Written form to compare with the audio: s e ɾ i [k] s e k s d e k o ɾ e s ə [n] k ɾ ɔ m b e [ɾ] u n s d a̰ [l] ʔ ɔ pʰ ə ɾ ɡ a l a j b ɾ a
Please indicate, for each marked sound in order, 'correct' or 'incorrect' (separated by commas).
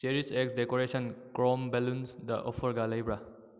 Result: incorrect, correct, incorrect, incorrect